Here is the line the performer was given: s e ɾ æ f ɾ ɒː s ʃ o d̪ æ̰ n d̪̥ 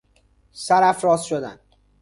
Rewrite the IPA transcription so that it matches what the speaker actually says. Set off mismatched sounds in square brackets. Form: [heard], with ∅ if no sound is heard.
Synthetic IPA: s [æ] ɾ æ f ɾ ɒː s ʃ o d̪ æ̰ n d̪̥